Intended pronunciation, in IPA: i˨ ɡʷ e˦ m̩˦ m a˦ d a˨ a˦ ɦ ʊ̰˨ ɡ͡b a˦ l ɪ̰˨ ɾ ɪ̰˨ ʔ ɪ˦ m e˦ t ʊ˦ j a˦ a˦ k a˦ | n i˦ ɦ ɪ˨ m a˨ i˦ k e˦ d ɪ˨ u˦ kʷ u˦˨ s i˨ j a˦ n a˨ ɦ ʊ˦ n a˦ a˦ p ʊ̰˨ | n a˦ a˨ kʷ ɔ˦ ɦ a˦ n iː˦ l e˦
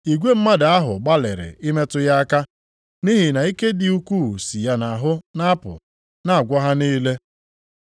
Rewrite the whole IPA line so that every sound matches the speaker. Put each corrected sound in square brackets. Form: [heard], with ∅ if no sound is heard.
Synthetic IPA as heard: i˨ ɡʷ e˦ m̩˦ m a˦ d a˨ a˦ ɦ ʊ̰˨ ɡ͡b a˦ l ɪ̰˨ ɾ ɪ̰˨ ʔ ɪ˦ m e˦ t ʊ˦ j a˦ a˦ k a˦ | n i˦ ɦ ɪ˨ [n] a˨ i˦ k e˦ d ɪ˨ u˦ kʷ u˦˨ s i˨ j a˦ n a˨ ɦ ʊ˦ n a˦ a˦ p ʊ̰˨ | n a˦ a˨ [ɡʷ] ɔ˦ ɦ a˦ n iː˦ l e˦